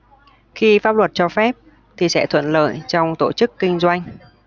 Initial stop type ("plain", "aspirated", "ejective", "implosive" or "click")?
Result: plain